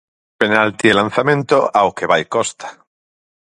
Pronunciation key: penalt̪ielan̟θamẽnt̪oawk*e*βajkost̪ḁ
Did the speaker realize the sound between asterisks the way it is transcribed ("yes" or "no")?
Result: yes